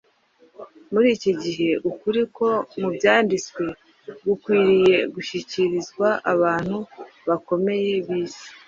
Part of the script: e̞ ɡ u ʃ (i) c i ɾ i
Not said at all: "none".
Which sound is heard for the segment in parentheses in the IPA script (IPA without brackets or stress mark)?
i